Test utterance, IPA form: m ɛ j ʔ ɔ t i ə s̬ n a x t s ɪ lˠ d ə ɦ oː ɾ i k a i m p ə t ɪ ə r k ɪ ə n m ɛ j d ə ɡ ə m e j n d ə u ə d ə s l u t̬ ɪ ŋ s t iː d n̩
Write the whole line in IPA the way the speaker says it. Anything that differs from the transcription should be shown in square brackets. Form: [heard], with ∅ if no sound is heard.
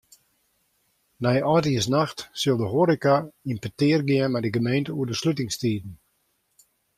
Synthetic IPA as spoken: [n] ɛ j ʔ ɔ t i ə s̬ n a x t s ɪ lˠ d ə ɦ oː ɾ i k a i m p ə t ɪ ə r [ɡ] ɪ ə n m ɛ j d ə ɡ ə m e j n [t] ə u ə d ə s l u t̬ ɪ ŋ s t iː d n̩